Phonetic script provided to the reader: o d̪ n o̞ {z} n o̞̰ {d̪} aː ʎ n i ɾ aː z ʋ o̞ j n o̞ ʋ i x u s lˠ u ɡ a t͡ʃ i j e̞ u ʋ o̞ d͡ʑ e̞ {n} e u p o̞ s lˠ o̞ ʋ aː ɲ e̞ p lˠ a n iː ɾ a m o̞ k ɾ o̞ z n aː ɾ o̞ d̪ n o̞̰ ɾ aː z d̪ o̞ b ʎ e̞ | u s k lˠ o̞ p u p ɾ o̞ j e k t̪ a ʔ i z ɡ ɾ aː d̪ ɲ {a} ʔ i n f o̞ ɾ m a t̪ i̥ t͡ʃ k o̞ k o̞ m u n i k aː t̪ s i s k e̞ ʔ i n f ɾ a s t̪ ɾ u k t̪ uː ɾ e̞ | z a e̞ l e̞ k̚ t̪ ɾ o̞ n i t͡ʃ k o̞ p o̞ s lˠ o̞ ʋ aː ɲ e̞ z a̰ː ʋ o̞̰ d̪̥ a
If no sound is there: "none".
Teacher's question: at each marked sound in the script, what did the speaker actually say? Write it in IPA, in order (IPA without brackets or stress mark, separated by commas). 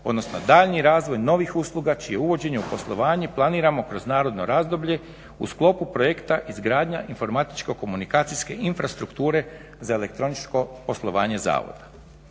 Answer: s, d̪, ɲ, a